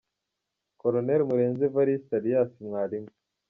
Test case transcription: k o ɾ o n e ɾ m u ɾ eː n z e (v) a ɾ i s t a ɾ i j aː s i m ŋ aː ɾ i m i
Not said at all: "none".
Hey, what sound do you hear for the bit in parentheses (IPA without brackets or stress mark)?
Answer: v